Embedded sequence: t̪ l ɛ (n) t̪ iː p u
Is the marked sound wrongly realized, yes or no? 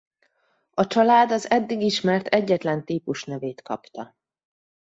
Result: no